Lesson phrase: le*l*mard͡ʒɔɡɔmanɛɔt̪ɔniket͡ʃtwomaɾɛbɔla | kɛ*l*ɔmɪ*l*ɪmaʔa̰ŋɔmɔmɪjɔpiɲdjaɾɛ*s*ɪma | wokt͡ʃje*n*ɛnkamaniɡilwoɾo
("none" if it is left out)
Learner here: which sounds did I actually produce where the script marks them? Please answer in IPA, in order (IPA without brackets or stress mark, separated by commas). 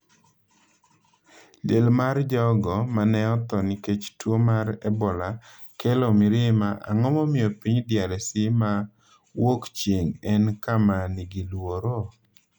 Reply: l, l, ɾ, s, ŋ